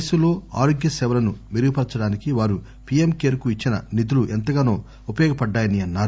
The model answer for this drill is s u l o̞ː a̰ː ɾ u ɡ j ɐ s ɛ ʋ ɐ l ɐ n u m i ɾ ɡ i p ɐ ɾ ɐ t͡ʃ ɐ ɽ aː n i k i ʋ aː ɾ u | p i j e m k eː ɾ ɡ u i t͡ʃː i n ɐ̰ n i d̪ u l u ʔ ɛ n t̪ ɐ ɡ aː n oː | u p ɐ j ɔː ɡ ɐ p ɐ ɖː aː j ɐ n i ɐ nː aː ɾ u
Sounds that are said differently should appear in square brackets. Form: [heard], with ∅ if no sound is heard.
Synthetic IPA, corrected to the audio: s u l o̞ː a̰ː ɾ [o] ɡ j ɐ s ɛ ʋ ɐ l ɐ n u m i ɾ ɡ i p ɐ ɾ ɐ t͡ʃ ɐ ɽ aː n i k i ʋ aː ɾ u | p i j e m k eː ɾ [k] u i t͡ʃː i n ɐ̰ n i d̪ u l u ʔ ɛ n t̪ ɐ ɡ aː n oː | u p ɐ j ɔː ɡ ɐ p ɐ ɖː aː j ɐ n i ɐ nː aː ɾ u